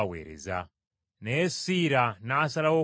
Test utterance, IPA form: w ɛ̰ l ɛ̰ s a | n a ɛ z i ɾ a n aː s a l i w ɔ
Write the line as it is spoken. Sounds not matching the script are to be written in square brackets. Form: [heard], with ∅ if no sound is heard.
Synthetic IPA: w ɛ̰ [ɾ] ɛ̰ [z] a | n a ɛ [s] i ɾ a n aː s a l [a] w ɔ